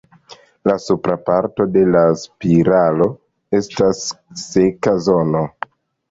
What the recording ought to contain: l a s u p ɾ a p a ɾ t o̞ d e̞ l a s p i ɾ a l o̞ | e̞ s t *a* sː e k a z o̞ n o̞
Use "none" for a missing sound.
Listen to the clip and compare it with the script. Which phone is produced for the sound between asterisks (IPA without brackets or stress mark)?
a